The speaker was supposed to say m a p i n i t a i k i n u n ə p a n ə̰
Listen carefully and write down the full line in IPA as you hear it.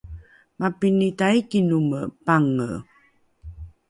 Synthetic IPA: m a p i n i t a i k i n u m ə p a ŋ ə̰